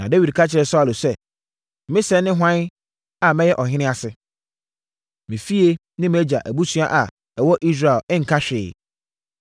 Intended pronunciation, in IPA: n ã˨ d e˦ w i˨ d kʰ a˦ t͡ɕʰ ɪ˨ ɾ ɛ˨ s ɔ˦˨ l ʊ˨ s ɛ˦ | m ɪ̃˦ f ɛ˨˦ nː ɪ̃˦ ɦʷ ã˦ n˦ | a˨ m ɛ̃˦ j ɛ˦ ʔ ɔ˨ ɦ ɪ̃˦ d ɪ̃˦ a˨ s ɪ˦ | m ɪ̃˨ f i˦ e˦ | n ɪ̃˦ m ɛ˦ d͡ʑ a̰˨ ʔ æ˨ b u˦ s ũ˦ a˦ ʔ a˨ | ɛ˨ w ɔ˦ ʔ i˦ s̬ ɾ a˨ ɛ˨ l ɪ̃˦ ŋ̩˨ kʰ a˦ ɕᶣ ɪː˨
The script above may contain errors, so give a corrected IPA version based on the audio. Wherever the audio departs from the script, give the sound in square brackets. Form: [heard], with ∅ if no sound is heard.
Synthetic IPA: n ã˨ d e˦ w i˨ d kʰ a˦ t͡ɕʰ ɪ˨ ɾ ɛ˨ s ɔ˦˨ l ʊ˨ s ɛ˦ | m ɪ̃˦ [s] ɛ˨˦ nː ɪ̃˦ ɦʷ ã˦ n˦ | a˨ m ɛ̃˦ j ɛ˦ ʔ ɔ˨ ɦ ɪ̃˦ [n] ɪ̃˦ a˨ s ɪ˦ | m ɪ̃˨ f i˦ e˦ | n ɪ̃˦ m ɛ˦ d͡ʑ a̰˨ ʔ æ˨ b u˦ s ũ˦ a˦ ʔ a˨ | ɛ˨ w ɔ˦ ʔ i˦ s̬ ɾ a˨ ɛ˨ l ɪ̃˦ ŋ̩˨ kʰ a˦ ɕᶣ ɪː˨